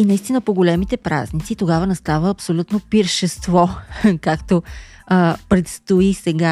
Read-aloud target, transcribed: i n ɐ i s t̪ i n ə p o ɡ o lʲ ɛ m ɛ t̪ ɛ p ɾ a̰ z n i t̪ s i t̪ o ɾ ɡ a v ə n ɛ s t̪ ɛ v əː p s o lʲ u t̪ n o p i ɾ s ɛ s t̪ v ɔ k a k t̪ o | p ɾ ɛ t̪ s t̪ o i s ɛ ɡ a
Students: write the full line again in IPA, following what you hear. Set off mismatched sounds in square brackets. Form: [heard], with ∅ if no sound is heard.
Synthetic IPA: i n ɐ i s t̪ i n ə p o ɡ o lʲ ɛ m [i] t̪ ɛ p ɾ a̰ z n i t̪ s i t̪ o [∅] ɡ a v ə n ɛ s t̪ [a] v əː p s o lʲ u t̪ n o p i ɾ [ʃ] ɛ s t̪ v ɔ k a k t̪ o | p ɾ ɛ t̪ s t̪ o i s ɛ ɡ a